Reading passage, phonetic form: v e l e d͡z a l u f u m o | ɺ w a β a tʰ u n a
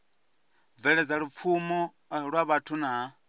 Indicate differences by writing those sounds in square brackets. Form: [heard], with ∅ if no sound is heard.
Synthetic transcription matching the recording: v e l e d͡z a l u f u m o | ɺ w a β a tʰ u n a